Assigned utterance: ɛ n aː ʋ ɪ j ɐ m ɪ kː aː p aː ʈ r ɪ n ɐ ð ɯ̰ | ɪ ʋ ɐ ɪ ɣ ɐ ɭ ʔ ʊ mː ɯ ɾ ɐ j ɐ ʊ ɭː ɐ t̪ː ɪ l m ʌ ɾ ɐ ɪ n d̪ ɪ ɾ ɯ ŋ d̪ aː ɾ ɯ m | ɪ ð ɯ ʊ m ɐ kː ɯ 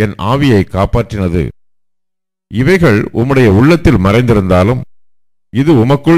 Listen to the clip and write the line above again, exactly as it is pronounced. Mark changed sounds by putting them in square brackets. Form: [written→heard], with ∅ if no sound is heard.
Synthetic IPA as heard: ɛ n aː ʋ ɪ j ɐ [m→∅] ɪ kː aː p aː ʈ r ɪ n ɐ ð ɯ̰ | ɪ ʋ ɐ ɪ ɣ ɐ ɭ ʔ ʊ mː ɯ [ɾ→ɽ] ɐ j ɐ ʊ ɭː ɐ t̪ː ɪ l m [ʌ→ɐ] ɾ ɐ ɪ n d̪ ɪ ɾ ɯ [ŋ→n] d̪ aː [ɾ→l] ɯ m | ɪ ð ɯ ʊ m ɐ kː ɯ

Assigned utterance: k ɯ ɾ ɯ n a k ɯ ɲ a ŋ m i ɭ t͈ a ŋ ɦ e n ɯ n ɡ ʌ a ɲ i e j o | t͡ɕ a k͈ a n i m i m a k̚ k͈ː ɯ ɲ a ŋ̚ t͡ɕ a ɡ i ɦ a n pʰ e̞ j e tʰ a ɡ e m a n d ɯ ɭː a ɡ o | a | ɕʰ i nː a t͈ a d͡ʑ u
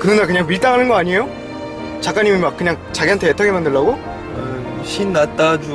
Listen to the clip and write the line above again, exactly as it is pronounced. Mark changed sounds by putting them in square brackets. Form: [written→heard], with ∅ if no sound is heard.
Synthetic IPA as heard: k ɯ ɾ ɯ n a k ɯ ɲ a ŋ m i ɭ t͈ a ŋ ɦ [e→a] n ɯ n ɡ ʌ a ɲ i e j o | t͡ɕ a k͈ a [n→ɲ] i m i m a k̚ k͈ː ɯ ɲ a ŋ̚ t͡ɕ a ɡ i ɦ a n [pʰ→tʰ] e̞ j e tʰ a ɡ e m a n d ɯ ɭː a ɡ o | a | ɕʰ i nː a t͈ a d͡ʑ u

